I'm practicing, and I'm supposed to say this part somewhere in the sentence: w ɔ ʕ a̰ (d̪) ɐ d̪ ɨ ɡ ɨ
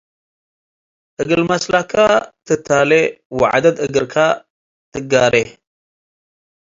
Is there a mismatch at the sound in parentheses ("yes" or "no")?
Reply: no